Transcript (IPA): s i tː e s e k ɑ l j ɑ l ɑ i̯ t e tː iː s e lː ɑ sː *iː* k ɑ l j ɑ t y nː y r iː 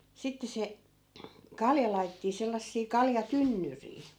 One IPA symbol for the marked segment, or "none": iː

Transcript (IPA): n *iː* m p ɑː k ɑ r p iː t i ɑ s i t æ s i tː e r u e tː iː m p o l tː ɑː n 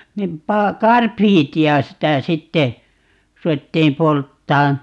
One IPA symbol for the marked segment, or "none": i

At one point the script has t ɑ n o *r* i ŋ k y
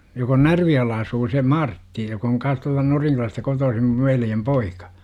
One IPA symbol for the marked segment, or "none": r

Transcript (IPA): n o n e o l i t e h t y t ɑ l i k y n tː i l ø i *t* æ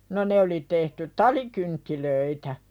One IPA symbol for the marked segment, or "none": t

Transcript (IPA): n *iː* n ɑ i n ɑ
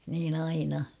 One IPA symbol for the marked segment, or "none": iː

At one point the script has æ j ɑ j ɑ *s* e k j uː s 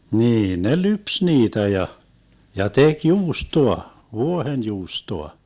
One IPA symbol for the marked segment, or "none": t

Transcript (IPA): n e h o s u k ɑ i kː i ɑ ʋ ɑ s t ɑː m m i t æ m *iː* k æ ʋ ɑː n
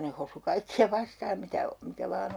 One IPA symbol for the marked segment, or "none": i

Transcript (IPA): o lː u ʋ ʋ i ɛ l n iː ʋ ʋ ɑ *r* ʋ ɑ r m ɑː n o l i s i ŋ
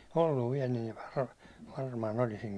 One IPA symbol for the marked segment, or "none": r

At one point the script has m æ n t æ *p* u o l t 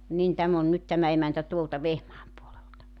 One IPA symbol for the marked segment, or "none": t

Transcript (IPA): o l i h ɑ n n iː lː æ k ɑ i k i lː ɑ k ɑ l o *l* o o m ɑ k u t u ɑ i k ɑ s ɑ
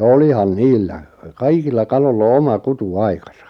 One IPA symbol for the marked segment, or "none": lː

